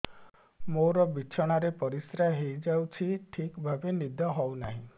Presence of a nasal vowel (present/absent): present